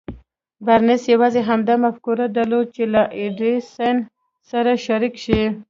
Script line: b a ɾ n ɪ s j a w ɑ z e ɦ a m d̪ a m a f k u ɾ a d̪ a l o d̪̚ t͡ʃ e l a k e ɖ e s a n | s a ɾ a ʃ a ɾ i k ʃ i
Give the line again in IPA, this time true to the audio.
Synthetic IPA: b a ɾ n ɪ s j a w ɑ z e ɦ a m d̪ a m a f k u ɾ a d̪ a l o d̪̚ t͡ʃ e l a ʔ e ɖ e s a n | s a ɾ a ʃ a ɾ i k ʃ i